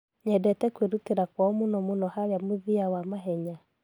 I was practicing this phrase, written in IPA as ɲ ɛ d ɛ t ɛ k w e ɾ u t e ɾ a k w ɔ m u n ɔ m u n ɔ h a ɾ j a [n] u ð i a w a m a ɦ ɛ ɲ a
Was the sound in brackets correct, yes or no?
no